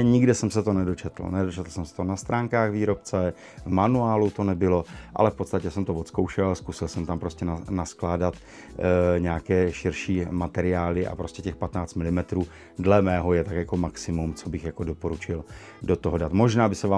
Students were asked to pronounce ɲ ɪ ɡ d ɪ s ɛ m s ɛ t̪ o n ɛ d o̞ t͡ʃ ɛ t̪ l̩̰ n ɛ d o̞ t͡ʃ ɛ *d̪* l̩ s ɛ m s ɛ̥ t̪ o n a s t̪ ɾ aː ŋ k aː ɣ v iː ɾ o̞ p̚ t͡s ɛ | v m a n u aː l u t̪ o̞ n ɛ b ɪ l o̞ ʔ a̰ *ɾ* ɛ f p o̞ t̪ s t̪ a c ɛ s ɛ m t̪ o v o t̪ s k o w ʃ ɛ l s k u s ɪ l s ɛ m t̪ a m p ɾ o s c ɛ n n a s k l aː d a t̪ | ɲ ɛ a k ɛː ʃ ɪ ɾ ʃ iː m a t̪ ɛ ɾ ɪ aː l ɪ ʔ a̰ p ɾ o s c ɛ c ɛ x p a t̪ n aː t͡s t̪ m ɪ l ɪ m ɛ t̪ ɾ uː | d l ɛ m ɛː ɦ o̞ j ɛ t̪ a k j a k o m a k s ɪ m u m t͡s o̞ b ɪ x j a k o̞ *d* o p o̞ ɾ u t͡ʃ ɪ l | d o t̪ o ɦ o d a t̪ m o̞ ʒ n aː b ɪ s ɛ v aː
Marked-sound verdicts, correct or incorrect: incorrect: t̪, incorrect: l, correct

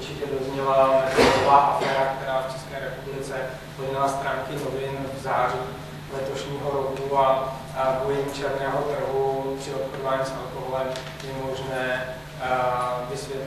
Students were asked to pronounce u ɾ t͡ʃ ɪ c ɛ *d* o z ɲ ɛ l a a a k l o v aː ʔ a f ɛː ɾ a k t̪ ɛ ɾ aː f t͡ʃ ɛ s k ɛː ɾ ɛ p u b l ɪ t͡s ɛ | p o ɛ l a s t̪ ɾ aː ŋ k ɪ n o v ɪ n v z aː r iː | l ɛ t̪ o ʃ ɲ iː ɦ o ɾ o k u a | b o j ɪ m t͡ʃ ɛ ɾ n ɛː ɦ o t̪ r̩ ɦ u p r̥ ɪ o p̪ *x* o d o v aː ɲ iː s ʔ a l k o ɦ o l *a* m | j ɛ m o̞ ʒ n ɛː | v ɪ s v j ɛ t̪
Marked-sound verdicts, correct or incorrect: correct, correct, incorrect: ɛ

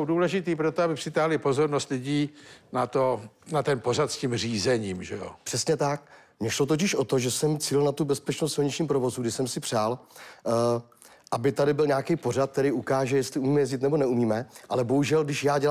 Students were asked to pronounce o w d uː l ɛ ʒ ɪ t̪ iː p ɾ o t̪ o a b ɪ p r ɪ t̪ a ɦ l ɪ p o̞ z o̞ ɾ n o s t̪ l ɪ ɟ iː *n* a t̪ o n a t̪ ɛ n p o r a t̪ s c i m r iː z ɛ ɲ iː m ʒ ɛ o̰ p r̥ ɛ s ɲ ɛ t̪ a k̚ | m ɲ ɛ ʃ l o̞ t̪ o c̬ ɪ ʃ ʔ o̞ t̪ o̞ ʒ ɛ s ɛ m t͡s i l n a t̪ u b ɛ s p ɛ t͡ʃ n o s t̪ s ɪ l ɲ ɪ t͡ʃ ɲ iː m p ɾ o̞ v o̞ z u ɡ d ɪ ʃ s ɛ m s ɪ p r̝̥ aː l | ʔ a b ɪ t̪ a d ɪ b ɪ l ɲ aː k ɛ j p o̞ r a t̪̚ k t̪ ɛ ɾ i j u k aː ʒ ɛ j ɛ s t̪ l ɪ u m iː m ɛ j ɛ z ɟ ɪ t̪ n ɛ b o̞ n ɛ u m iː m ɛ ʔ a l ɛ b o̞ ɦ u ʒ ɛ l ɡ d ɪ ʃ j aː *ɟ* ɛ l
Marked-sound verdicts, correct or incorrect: correct, correct

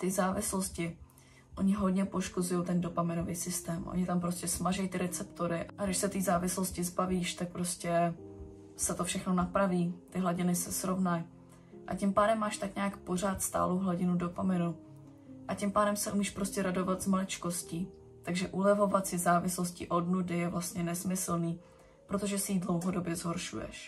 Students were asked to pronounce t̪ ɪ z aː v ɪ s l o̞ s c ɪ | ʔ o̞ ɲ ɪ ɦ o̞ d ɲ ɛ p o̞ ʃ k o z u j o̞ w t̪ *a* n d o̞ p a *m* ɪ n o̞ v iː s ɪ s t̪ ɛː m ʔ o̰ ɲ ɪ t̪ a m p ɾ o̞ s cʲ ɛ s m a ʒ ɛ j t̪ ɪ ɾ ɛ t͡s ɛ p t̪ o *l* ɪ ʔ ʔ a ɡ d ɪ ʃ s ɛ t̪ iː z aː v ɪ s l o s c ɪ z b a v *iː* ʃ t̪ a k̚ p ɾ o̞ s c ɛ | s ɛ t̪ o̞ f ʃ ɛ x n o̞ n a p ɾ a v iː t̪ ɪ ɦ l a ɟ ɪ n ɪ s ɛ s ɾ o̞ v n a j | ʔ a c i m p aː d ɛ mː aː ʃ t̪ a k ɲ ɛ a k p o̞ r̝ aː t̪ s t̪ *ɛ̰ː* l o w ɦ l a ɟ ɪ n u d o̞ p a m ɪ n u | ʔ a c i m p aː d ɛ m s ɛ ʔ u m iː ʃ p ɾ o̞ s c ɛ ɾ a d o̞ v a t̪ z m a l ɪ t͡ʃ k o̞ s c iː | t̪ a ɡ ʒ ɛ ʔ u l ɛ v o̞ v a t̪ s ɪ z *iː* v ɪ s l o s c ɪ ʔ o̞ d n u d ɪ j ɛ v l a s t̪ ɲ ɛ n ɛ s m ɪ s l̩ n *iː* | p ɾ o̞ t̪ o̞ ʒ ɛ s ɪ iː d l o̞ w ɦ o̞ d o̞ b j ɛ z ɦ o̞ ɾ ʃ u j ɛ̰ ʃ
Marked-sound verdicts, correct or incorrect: incorrect: ɛ, correct, incorrect: ɾ, correct, incorrect: a̰ː, incorrect: aː, correct

